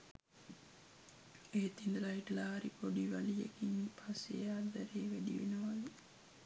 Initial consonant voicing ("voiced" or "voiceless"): voiceless